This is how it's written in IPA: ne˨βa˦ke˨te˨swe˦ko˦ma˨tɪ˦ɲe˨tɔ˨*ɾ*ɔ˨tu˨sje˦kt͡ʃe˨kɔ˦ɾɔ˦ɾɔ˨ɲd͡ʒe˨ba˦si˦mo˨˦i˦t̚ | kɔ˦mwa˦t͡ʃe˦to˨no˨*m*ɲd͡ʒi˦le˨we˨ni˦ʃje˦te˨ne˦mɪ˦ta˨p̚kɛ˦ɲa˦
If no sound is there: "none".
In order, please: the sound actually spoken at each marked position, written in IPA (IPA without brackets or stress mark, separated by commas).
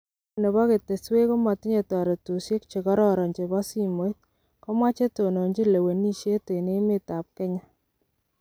ɾ, none